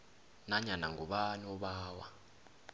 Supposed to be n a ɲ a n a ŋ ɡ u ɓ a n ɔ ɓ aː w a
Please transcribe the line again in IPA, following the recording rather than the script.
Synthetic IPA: n a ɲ a n a ŋ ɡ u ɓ a n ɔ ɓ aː w a